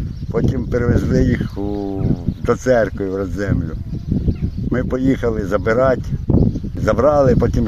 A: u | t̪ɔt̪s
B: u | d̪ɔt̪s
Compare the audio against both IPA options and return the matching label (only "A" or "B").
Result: B